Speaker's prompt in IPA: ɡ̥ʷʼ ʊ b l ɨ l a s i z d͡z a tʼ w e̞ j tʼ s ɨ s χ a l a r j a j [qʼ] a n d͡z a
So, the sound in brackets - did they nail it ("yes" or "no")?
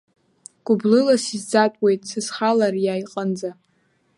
yes